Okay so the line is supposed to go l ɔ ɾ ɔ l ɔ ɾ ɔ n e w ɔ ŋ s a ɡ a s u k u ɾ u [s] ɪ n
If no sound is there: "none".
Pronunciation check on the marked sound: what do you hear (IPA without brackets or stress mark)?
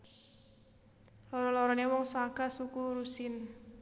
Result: s